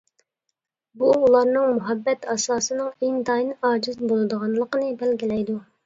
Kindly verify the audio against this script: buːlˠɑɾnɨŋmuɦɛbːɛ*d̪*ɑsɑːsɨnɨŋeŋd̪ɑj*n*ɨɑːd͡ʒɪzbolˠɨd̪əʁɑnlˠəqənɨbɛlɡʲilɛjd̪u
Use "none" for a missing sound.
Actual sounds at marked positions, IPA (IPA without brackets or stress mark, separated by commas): t̪, n